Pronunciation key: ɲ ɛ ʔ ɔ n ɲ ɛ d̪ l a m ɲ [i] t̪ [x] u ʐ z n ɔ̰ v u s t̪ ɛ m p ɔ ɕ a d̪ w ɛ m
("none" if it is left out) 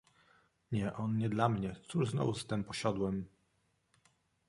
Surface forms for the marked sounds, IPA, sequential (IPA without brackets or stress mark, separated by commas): ɛ, s